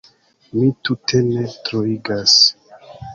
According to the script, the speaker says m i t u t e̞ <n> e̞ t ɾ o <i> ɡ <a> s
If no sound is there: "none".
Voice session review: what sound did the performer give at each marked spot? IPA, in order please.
n, i, a

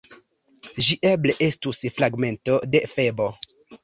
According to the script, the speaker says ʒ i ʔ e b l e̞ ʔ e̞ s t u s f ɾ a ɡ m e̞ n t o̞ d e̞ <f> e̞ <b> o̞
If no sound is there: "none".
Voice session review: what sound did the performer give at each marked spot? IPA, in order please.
f, b

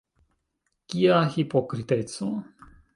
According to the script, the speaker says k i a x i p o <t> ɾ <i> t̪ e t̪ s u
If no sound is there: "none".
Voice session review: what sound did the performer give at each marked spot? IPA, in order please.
k, i

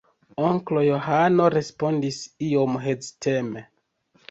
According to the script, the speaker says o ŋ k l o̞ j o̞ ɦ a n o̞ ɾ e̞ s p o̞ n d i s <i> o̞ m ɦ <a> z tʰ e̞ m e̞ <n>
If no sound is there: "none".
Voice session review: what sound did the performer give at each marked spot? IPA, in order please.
i, e, none

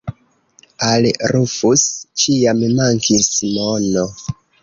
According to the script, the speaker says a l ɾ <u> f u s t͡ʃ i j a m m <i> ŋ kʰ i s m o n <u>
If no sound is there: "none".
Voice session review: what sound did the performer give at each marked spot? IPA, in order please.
u, a, o

